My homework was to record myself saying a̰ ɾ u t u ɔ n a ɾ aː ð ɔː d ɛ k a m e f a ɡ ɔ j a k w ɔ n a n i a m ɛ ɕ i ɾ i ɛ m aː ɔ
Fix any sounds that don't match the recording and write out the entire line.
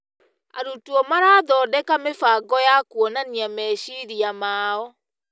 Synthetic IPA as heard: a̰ ɾ u t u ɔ m a ɾ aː ð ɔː d ɛ k a m e f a ɡ ɔ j a k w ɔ n a n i a m ɛ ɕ i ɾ i a m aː ɔ